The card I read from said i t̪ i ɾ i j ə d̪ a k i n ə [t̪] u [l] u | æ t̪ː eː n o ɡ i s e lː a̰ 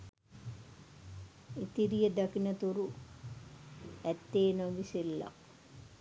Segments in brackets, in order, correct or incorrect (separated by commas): correct, incorrect